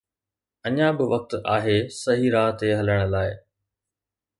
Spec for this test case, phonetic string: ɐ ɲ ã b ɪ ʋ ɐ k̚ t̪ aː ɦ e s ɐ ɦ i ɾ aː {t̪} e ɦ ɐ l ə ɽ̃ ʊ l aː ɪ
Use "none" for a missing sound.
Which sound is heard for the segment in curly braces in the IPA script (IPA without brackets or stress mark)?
t̪